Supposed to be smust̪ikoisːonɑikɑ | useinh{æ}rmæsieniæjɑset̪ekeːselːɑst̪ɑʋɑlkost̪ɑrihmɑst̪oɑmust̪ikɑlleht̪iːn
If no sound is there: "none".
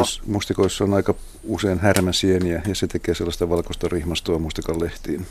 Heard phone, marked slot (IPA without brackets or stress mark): æ